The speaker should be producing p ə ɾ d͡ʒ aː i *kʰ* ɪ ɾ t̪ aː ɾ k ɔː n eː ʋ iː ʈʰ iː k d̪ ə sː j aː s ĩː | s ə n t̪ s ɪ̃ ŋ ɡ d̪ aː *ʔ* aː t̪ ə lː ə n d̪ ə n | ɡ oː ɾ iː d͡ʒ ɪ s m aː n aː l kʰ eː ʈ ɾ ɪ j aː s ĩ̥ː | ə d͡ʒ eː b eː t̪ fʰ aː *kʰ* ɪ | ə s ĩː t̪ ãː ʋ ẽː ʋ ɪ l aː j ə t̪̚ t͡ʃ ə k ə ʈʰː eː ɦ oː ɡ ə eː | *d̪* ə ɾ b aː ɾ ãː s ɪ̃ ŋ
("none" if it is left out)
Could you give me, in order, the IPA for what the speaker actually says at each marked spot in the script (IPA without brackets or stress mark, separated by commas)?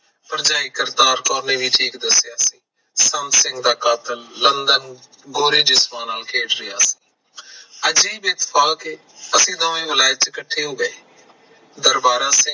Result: k, k, k, d̪